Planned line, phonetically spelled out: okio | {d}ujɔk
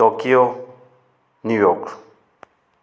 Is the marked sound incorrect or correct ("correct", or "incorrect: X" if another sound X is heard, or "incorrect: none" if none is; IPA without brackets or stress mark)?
incorrect: n